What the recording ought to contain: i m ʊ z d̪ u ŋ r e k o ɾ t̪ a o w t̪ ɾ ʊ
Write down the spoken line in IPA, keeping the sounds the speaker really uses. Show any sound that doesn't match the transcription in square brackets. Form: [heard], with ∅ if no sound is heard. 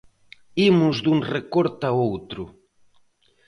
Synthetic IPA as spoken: i m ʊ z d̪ u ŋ r e k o ɾ t̪ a o w t̪ ɾ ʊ